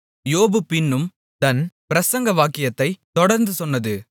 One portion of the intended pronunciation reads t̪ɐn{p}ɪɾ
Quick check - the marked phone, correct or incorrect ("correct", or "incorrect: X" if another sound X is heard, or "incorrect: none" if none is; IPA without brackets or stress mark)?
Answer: correct